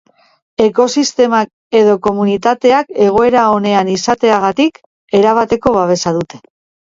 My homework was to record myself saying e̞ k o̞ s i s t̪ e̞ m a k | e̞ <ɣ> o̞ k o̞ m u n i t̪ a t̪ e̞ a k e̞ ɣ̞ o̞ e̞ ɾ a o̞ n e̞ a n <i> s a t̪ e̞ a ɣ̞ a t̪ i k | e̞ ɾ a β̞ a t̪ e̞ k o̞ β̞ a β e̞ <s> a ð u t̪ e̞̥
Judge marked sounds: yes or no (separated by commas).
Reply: no, yes, yes